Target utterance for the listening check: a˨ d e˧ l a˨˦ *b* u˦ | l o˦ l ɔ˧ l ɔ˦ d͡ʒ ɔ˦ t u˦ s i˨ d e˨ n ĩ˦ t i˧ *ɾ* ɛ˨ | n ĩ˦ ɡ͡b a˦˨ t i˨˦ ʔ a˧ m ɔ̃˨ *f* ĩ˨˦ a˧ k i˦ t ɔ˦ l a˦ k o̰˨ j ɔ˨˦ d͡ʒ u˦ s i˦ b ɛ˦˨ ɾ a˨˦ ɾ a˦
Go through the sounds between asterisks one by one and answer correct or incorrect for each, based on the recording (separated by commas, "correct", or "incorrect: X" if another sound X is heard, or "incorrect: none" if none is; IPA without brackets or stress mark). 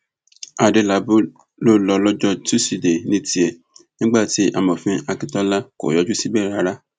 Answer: correct, incorrect: none, correct